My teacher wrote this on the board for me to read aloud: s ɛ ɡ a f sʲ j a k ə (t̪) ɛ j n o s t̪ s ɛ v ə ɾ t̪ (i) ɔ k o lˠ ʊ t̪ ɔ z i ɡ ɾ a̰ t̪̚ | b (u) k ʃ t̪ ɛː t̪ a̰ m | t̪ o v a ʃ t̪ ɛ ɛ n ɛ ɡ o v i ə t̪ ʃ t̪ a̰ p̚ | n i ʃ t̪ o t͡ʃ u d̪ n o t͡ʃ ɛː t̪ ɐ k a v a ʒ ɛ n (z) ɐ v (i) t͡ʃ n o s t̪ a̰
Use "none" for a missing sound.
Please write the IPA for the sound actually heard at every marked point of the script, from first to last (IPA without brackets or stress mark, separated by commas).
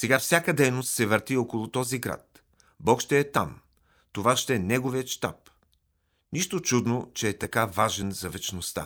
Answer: d̪, i, ɔ, z, ɛ